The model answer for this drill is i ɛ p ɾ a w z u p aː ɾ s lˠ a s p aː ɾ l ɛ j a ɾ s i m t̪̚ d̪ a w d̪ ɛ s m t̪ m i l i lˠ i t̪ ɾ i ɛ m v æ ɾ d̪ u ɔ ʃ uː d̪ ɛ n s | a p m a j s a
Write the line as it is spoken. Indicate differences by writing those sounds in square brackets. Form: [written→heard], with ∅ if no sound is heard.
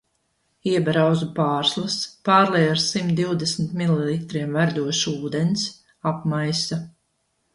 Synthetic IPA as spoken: i ɛ [p→b] ɾ a w z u p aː ɾ s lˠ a s p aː ɾ l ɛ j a ɾ s i m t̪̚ d̪ [a→i] w d̪ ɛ s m t̪ m i l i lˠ i t̪ ɾ i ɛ m v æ ɾ d̪ u ɔ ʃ uː d̪ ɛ n s | a p m a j s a